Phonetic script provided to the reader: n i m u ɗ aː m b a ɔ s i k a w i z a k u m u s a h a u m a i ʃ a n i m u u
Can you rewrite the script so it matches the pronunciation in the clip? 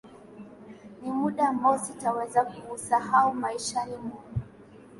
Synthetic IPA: n i m u ɗ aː m b a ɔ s i t a w ɛ z a k u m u s a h a u m a i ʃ a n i m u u